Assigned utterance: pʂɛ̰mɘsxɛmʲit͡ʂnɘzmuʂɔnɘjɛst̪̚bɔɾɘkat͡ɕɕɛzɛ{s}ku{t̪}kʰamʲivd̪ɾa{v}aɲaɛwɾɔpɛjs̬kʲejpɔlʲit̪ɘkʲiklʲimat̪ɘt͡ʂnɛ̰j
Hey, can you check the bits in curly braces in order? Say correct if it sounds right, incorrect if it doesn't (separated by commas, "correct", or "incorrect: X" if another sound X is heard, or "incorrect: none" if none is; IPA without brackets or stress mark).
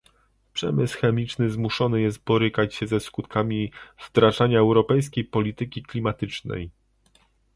correct, correct, incorrect: ʐ